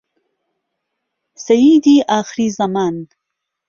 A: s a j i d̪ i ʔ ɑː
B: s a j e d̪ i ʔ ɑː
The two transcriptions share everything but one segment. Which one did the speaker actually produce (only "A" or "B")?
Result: A